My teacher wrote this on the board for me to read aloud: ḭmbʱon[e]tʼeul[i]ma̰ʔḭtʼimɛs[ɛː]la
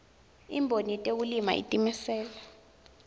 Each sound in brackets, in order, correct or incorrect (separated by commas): incorrect, correct, correct